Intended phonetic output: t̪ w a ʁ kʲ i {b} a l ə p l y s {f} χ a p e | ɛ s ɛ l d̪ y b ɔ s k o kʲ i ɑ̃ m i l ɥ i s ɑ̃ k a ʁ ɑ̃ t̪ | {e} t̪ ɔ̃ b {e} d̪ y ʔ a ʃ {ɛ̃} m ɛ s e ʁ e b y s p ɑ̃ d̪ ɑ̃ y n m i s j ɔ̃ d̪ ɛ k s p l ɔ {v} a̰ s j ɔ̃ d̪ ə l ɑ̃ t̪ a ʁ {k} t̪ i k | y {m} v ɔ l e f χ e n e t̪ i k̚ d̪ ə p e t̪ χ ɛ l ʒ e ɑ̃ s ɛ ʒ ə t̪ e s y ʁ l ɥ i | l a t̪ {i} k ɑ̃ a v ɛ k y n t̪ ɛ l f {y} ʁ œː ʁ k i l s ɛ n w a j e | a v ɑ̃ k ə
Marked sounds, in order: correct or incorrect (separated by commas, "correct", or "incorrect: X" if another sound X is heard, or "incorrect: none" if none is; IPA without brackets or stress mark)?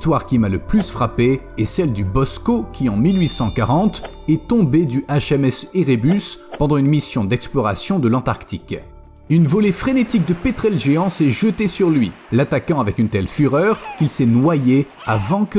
incorrect: m, correct, incorrect: ɛ, correct, incorrect: ɛ, incorrect: ʁ, correct, incorrect: n, incorrect: a, correct